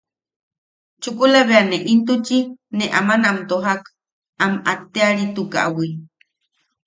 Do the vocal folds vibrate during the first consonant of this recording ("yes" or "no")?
no